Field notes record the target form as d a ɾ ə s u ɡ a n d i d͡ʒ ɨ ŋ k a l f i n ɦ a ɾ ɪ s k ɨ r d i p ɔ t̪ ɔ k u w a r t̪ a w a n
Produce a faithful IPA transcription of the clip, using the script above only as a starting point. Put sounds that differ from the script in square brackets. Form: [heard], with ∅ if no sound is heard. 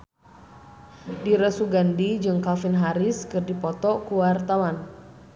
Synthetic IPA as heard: d [i] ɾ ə s u ɡ a n d i d͡ʒ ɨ ŋ k a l f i n ɦ a ɾ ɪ s k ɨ r d i p ɔ t̪ ɔ k u w a r t̪ a w a n